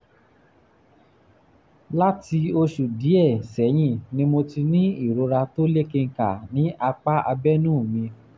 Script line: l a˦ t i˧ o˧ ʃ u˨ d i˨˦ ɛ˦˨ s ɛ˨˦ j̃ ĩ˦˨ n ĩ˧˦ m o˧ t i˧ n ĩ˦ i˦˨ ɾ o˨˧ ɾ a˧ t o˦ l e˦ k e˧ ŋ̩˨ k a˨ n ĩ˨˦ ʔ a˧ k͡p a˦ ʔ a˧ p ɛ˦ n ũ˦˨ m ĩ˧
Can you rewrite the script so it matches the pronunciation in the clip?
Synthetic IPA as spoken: l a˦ t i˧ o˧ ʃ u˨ d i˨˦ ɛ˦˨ s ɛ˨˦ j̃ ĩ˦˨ n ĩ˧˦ m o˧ t i˧ n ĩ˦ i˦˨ ɾ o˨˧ ɾ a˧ t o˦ l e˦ k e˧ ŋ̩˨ k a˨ n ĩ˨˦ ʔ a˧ k͡p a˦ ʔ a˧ b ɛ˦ n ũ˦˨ m ĩ˧